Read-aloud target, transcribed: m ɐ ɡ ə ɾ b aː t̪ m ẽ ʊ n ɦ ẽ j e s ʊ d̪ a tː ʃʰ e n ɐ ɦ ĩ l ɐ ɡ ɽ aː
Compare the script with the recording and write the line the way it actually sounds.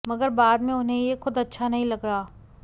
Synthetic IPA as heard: m ɐ ɡ ə ɾ b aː d̪ m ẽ ʊ n ɦ ẽ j e x ʊ d̪ ɐ tː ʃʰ a n ɐ ɦ ĩ l ɐ ɡ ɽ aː